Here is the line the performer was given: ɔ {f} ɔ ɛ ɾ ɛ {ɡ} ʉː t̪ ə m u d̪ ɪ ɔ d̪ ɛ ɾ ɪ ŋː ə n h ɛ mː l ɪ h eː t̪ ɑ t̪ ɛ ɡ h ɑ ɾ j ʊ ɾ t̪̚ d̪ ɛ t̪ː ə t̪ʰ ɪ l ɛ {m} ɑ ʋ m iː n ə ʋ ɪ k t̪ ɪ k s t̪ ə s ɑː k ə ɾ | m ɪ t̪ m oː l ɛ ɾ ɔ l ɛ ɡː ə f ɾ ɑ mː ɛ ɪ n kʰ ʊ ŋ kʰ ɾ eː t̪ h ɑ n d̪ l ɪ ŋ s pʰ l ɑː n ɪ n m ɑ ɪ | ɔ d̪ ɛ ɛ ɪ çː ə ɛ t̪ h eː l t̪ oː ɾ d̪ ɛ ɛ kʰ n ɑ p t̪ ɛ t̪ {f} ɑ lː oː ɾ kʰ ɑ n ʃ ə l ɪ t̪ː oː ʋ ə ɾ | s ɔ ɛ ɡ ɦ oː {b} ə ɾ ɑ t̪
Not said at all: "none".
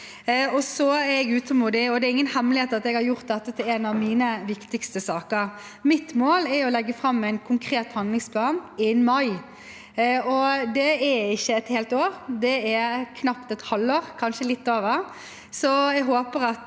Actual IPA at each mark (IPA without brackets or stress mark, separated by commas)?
s, ɡ, n, h, p